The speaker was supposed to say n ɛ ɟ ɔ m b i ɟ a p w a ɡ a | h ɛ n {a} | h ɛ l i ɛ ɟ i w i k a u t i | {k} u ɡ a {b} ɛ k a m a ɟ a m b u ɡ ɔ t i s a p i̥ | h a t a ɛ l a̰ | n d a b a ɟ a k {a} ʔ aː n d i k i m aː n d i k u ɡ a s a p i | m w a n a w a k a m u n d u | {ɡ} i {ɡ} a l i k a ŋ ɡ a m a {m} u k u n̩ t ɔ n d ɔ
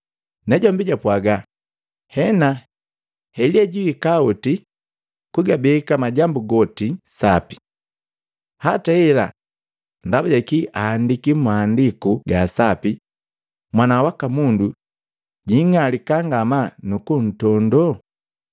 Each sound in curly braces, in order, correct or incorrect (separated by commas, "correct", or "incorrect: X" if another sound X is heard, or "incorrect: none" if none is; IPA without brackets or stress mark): correct, correct, correct, incorrect: i, incorrect: ɟ, incorrect: ŋ, incorrect: n